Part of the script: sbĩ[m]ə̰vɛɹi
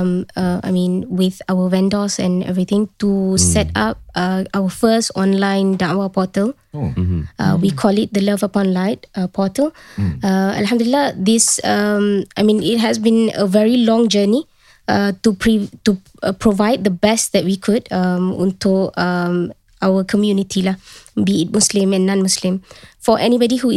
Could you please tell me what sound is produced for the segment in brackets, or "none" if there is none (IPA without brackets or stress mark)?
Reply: n